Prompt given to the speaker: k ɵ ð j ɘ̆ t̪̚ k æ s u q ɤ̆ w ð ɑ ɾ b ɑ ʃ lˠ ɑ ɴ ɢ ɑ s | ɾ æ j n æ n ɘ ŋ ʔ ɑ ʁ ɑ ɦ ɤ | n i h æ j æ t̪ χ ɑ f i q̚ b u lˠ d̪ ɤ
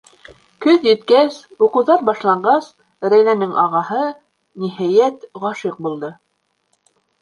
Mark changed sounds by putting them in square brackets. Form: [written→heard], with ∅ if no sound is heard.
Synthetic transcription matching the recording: k ɵ ð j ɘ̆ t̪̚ k æ s u q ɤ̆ w ð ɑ ɾ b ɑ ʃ lˠ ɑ ɴ ɢ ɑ s | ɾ æ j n æ n ɘ ŋ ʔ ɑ ʁ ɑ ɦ ɤ | n i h æ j æ t̪ [χ→ʁ] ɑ [f→ʃ] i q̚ b u lˠ d̪ ɤ

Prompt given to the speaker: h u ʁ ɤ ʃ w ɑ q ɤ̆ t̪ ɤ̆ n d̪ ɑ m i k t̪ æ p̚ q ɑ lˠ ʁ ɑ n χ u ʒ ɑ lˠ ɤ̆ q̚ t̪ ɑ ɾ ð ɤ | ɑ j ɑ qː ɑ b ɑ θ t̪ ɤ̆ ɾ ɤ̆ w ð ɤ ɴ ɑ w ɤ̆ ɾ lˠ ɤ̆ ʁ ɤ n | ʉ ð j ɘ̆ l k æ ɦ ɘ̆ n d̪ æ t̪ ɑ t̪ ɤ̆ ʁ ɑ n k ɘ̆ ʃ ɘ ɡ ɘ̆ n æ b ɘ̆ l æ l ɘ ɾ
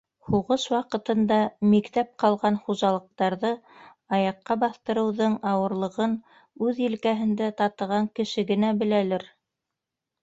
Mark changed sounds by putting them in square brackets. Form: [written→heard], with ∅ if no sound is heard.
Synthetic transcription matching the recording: h u ʁ ɤ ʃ w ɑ q ɤ̆ t̪ ɤ̆ n d̪ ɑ m i k t̪ æ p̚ q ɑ lˠ ʁ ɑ n χ u ʒ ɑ lˠ ɤ̆ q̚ t̪ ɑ ɾ ð ɤ | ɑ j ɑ qː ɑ b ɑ θ t̪ ɤ̆ ɾ ɤ̆ w ð ɤ ɴ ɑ w ɤ̆ ɾ lˠ ɤ̆ ʁ ɤ n | ʉ ð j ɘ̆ l k æ ɦ ɘ̆ n d̪ æ t̪ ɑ t̪ ɤ̆ ʁ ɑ [n→ŋ] k ɘ̆ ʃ ɘ ɡ ɘ̆ n æ b ɘ̆ l æ l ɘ ɾ

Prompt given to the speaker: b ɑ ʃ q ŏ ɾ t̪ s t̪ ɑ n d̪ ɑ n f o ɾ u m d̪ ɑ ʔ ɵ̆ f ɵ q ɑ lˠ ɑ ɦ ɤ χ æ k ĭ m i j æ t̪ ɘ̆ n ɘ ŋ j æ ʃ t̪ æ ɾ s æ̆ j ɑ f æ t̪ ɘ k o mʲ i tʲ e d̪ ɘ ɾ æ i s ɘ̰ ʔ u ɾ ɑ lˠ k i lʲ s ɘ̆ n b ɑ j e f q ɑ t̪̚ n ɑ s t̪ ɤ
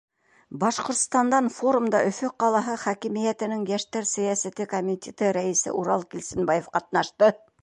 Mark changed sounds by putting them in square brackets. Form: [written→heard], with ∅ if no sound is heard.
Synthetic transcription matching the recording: b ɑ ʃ q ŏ ɾ t̪ s t̪ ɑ n d̪ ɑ n f o ɾ u m d̪ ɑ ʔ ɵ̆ f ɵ q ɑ lˠ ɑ ɦ ɤ χ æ k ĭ m i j æ t̪ ɘ̆ n ɘ ŋ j æ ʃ t̪ æ ɾ s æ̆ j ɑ [f→s] æ t̪ ɘ k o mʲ i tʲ e [d̪→t̪] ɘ ɾ æ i s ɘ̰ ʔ u ɾ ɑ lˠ k i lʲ s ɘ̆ n b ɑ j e f q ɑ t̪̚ n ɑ [s→ʃ] t̪ ɤ

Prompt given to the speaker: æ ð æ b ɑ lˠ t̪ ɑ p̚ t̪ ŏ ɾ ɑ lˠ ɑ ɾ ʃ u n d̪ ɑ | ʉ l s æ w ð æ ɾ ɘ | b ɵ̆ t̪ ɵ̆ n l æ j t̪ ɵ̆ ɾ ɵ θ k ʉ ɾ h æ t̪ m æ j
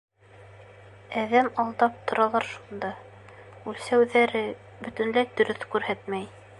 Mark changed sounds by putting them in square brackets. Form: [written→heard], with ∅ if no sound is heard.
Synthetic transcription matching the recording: æ ð æ [b→m] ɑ lˠ [t̪→d̪] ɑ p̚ t̪ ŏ ɾ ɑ lˠ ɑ ɾ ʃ u n d̪ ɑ | ʉ l s æ w ð æ ɾ ɘ | b ɵ̆ t̪ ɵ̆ n l æ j [t̪→d̪] ɵ̆ ɾ ɵ θ k ʉ ɾ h æ t̪ m æ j

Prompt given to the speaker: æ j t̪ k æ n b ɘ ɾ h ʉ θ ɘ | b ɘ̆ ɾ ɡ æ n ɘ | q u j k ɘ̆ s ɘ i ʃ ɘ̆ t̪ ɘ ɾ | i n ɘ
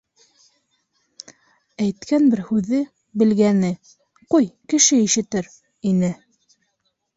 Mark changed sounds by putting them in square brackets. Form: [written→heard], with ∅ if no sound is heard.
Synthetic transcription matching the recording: æ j t̪ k æ n b ɘ ɾ h ʉ [θ→ð] ɘ | b ɘ̆ [ɾ→l] ɡ æ n ɘ | q u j k ɘ̆ [s→ʃ] ɘ i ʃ ɘ̆ t̪ ɘ ɾ | i n ɘ

